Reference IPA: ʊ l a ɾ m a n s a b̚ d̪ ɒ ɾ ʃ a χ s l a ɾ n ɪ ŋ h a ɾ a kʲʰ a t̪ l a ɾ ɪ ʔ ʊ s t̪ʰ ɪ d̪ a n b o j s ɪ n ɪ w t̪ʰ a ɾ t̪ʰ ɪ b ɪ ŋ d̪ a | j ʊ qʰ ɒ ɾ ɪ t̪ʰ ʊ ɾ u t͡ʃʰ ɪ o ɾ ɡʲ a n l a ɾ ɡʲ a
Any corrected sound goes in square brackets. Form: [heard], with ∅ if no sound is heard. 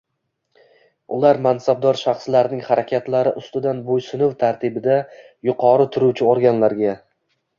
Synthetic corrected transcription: ʊ l a ɾ m a n s a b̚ d̪ ɒ ɾ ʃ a χ s l a ɾ n ɪ ŋ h a ɾ a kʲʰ a t̪ l a ɾ ɪ ʔ ʊ s [t̪] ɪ d̪ a n b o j s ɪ n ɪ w t̪ʰ a ɾ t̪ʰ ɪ b ɪ [∅] d̪ a | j ʊ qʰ ɒ ɾ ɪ t̪ʰ ʊ ɾ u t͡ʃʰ ɪ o ɾ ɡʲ a n l a ɾ ɡʲ a